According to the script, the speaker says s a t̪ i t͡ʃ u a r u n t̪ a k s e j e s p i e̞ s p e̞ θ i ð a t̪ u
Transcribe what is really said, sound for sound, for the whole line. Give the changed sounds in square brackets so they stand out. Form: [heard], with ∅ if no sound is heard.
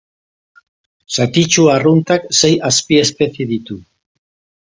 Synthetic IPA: s a t̪ i t͡ʃ u a r u n t̪ a k s e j [a] s p i e̞ s p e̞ θ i ð [i] t̪ u